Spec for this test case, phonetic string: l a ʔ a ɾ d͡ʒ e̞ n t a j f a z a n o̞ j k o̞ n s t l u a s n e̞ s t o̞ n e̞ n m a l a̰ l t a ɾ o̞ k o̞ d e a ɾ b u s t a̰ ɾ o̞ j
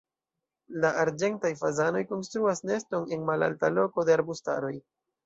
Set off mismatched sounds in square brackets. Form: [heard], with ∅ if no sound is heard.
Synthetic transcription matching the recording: l a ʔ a ɾ d͡ʒ e̞ n t a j f a z a n o̞ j k o̞ n s t [ɾ] u a s n e̞ s t o̞ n e̞ n m a l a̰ l t a [l] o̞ k o̞ d e a ɾ b u s t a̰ ɾ o̞ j